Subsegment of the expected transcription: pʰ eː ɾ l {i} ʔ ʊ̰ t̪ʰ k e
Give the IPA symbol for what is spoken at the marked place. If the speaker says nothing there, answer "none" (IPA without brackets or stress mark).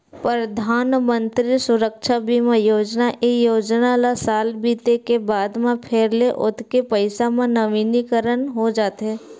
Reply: e